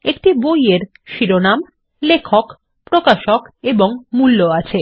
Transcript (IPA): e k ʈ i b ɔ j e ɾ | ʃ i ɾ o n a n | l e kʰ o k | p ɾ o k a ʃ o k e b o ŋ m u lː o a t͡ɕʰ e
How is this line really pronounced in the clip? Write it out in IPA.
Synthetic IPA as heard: e k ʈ i b o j e ɾ | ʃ i ɾ o n a m | l e kʰ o k | p ɾ o k a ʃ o k e b o ŋ m u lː o a t͡ɕʰ e